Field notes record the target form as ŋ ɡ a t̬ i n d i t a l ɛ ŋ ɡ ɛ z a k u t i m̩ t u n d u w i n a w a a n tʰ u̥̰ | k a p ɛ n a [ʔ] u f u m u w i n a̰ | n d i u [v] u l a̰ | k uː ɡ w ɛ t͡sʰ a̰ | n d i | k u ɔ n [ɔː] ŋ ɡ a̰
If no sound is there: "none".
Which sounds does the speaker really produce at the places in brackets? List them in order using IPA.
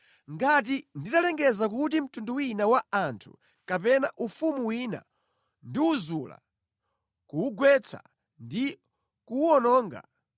ʔ, z, ɔː

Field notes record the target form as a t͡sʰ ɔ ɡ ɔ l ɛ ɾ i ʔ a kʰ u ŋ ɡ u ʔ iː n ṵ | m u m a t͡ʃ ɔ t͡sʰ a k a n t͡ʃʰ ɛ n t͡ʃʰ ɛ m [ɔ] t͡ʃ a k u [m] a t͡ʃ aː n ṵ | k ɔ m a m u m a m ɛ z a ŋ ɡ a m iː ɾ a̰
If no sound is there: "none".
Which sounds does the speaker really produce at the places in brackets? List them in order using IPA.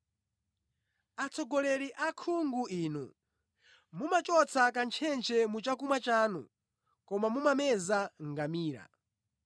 u, m

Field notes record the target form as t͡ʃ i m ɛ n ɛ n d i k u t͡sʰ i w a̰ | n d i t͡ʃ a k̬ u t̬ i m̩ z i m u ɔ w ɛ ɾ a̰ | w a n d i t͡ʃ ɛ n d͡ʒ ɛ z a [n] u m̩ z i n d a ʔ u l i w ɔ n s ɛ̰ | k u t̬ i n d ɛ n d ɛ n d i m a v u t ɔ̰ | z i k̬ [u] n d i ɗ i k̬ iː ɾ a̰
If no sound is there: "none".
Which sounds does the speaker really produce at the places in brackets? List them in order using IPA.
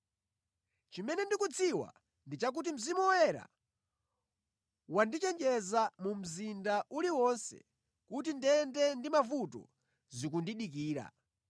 m, u

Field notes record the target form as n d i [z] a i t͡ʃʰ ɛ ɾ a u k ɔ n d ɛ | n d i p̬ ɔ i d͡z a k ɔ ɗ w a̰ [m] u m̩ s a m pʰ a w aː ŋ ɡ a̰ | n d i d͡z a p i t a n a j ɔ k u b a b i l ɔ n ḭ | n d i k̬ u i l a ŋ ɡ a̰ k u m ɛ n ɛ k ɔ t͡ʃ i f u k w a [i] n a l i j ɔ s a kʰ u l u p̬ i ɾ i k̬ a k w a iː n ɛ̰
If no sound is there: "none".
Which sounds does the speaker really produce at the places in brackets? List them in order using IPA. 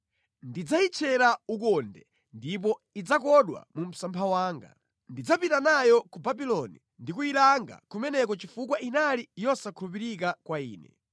d͡z, m, i

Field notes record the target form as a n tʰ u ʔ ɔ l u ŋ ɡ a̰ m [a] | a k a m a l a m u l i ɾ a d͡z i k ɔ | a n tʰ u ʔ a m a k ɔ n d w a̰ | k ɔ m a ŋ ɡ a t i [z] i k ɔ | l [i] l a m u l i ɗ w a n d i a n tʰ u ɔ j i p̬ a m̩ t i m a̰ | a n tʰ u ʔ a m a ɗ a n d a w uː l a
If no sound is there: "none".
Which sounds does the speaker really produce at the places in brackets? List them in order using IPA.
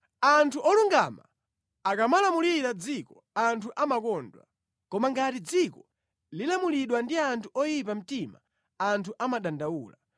a, d͡z, i

